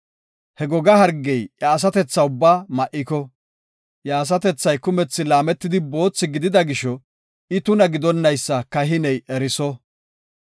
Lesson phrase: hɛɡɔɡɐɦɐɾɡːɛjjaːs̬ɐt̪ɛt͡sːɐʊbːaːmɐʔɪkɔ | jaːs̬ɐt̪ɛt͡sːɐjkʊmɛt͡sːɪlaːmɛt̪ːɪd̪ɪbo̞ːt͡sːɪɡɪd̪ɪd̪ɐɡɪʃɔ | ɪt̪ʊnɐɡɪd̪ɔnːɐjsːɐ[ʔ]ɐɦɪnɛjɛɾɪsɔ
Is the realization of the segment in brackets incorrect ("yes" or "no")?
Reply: yes